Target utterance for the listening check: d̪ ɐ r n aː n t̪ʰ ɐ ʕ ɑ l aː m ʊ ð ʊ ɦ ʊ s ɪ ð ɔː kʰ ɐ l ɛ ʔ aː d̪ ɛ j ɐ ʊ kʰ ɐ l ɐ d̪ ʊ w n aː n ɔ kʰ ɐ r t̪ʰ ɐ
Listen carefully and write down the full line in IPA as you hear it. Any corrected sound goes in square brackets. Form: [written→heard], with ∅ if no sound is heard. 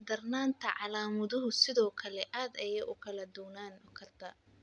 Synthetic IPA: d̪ ɐ r n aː n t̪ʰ ɐ ʕ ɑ l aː m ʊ ð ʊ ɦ ʊ s ɪ ð ɔː kʰ ɐ l ɛ ʔ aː d̪ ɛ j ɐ ʊ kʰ ɐ l ɐ d̪ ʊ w n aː n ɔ kʰ ɐ r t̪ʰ ɐ